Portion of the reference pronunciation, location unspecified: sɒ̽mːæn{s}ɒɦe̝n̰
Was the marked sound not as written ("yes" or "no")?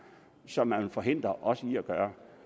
yes